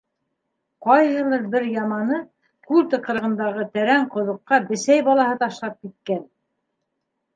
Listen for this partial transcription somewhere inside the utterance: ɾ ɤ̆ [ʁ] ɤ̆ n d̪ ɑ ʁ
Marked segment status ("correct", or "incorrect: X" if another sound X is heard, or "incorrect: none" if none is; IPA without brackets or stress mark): correct